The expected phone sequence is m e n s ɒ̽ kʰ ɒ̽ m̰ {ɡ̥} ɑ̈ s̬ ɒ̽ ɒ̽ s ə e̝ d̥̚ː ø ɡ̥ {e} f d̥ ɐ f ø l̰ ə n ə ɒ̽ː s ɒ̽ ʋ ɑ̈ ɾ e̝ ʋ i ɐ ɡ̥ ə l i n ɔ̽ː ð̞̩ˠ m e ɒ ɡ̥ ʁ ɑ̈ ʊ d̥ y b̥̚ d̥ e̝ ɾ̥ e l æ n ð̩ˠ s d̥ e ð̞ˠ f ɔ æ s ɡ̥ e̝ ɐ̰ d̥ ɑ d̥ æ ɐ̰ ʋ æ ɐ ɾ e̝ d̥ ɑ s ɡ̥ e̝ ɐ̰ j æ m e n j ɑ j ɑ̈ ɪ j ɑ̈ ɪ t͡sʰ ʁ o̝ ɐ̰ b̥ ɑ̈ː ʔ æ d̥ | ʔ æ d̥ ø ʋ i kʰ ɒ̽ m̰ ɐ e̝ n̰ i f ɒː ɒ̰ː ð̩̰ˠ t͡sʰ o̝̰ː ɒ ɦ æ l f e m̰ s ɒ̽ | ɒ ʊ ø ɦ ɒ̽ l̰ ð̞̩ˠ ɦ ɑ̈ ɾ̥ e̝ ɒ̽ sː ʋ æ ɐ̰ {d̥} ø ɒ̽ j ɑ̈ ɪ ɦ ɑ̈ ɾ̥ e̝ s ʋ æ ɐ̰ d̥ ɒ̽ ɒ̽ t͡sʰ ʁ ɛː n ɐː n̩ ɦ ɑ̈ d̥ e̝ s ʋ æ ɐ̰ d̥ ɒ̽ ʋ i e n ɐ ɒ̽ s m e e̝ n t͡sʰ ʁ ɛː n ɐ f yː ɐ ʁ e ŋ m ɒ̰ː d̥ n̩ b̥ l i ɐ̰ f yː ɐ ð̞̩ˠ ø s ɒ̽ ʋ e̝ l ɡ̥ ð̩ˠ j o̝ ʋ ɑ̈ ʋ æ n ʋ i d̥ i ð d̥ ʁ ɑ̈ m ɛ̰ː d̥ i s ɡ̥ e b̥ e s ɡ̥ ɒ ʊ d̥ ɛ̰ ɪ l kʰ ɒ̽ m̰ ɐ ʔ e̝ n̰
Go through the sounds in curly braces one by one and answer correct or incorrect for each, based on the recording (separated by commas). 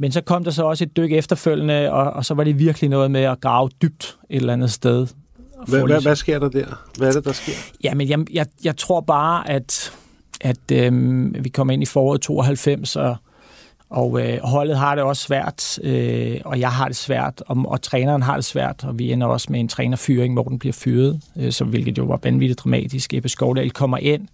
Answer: incorrect, correct, correct